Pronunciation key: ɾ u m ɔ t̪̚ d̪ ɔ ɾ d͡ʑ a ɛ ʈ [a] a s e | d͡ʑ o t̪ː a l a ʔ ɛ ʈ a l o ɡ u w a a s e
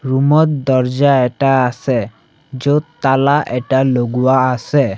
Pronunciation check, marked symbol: correct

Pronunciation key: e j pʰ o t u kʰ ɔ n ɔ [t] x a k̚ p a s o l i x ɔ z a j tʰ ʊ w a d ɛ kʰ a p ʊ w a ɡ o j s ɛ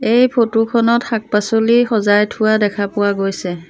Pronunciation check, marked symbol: correct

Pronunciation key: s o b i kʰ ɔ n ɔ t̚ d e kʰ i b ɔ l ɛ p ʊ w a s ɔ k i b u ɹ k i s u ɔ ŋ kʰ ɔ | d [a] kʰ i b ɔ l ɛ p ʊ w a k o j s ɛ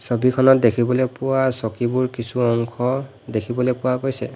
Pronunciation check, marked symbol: incorrect: e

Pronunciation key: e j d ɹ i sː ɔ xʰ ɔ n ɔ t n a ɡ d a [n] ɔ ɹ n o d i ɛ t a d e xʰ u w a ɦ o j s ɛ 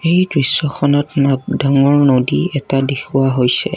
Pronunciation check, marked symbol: incorrect: ŋ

